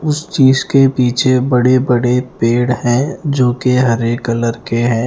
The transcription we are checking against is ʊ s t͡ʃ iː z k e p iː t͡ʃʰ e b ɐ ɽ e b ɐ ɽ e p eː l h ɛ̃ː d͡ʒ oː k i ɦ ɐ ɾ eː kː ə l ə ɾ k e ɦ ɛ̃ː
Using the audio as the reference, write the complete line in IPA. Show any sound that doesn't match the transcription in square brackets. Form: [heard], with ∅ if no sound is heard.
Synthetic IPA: ʊ s t͡ʃ iː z k e p iː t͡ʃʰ e b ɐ ɽ e b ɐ ɽ e p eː [ɽ] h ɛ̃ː d͡ʒ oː k [e] ɦ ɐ ɾ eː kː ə l ə ɾ k e ɦ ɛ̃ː